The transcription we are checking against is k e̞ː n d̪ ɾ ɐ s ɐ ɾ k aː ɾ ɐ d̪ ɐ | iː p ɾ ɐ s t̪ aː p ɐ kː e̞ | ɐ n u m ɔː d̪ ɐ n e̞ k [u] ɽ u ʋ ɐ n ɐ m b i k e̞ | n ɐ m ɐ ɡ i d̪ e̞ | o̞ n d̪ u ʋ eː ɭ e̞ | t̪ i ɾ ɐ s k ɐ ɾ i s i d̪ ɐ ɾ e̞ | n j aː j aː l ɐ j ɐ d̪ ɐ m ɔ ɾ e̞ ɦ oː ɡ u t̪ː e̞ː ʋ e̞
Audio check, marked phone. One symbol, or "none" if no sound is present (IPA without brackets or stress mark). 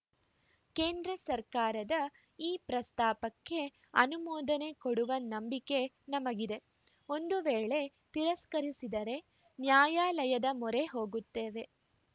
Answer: o